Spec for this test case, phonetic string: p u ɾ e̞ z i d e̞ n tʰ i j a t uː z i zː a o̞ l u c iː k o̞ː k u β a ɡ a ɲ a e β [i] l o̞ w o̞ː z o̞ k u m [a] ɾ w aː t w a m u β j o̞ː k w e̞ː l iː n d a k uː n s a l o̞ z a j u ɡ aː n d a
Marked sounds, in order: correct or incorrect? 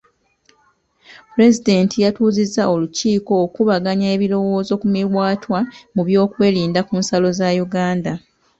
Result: correct, incorrect

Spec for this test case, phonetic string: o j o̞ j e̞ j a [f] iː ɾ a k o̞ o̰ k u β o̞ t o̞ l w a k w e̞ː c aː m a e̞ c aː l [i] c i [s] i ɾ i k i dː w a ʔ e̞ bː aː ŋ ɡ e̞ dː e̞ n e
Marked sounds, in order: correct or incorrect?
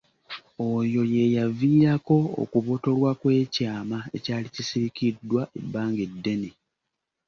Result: incorrect, correct, correct

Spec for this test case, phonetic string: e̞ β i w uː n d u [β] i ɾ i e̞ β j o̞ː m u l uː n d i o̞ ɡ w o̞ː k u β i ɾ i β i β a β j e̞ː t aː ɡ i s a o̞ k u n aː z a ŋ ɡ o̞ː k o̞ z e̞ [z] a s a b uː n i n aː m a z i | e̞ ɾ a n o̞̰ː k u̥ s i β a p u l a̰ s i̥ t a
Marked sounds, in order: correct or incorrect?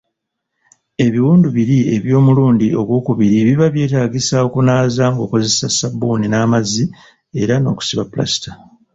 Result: correct, incorrect

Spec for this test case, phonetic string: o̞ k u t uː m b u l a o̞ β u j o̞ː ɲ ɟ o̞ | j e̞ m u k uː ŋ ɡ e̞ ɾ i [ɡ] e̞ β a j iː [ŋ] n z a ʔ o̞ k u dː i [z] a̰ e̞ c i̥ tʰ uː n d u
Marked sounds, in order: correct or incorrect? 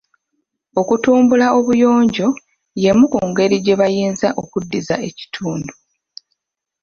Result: incorrect, incorrect, correct

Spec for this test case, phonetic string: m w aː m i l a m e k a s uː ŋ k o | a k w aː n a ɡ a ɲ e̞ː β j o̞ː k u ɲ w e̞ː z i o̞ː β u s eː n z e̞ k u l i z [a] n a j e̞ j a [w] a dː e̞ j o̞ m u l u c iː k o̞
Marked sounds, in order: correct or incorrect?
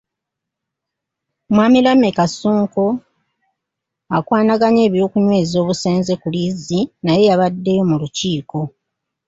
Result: incorrect, incorrect

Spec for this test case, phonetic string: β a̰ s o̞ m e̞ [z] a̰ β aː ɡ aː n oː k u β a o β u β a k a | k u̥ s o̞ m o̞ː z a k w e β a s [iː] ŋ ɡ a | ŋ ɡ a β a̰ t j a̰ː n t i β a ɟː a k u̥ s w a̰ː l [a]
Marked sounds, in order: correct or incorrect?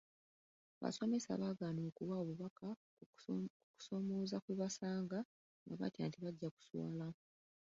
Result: incorrect, incorrect, correct

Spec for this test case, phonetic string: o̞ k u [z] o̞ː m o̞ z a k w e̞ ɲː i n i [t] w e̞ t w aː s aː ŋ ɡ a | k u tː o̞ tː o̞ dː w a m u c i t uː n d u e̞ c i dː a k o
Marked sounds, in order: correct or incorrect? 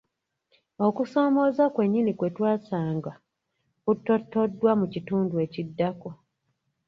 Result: incorrect, incorrect

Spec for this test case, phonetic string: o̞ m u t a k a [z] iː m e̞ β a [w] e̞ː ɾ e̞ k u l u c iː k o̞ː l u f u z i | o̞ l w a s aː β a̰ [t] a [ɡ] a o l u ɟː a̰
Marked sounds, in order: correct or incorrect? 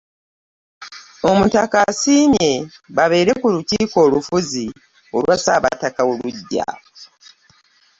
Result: incorrect, incorrect, correct, incorrect

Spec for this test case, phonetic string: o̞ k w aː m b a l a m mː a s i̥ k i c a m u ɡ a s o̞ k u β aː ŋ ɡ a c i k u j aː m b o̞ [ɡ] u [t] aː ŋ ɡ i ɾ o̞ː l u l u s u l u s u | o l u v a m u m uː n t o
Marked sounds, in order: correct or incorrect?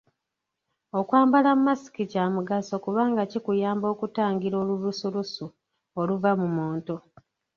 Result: incorrect, correct

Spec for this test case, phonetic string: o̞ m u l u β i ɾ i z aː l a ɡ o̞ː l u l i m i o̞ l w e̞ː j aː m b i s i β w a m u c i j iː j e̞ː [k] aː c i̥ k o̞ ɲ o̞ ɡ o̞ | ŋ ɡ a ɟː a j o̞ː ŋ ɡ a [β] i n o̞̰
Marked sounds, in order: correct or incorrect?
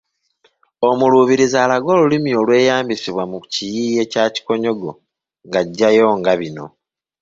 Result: incorrect, correct

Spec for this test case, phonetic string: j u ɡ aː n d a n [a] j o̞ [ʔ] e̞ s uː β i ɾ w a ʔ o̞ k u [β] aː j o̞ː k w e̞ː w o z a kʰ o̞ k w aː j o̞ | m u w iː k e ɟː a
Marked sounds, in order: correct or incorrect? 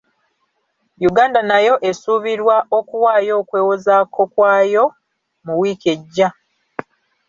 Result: correct, correct, incorrect

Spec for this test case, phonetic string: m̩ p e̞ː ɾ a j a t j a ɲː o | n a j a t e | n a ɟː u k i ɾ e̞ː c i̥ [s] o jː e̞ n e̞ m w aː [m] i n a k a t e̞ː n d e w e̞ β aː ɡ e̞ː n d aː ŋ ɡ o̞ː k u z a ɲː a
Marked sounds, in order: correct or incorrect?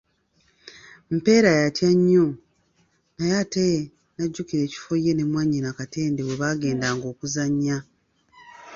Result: incorrect, incorrect

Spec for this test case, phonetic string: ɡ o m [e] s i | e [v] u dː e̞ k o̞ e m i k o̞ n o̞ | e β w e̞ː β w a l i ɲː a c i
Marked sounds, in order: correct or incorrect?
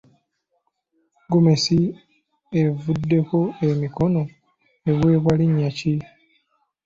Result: correct, correct

